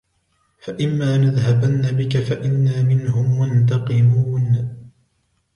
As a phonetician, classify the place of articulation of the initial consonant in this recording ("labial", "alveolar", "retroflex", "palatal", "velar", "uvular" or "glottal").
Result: labial